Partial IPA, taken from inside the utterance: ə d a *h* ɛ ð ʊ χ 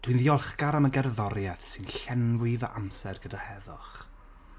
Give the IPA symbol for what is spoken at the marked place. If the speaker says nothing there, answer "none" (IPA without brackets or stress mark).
h